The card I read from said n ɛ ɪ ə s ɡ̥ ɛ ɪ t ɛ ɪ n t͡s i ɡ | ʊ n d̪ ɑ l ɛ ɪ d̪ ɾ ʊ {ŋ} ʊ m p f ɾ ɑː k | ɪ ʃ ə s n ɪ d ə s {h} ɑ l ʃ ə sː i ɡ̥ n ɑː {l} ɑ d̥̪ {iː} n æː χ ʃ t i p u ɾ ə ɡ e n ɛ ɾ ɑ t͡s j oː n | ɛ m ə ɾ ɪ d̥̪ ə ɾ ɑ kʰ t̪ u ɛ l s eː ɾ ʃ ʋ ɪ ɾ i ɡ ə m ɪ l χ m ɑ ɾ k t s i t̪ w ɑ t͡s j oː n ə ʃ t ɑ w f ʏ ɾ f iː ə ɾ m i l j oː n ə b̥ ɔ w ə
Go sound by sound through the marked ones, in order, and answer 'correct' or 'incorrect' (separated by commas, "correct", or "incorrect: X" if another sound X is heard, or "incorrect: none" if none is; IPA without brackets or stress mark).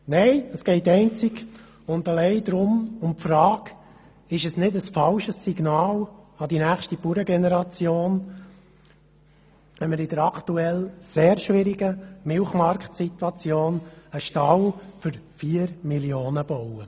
incorrect: m, incorrect: f, correct, incorrect: i